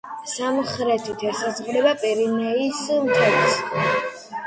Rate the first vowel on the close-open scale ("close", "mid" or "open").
open